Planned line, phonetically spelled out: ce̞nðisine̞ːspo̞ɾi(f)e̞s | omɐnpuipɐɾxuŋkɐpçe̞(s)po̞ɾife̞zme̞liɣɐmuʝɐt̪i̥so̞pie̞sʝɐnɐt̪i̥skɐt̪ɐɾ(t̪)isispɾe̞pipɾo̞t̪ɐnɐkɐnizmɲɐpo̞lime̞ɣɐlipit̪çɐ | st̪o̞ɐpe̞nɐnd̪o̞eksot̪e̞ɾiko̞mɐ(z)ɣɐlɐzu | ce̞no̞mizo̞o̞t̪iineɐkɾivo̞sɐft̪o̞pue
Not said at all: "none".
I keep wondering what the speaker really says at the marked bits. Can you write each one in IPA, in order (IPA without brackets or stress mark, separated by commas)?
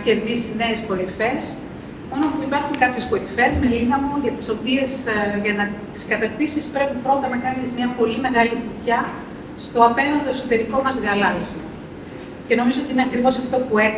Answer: f, s, t̪, z